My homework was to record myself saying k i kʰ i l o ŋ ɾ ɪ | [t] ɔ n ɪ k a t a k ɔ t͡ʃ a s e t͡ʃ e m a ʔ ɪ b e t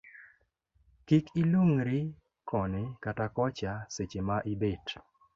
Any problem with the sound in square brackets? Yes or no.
yes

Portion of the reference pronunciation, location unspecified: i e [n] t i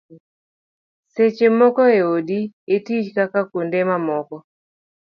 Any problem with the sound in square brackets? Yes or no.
yes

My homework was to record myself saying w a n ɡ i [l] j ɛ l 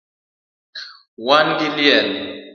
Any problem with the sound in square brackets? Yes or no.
no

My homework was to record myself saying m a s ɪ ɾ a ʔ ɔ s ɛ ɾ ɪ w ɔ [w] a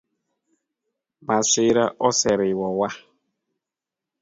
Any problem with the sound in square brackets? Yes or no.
no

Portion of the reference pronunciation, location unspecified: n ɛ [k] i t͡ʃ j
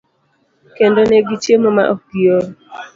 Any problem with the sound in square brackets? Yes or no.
yes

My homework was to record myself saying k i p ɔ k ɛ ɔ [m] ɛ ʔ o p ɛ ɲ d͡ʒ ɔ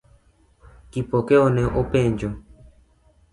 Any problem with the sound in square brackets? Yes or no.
yes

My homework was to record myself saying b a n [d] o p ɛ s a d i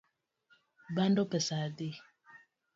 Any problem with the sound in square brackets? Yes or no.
no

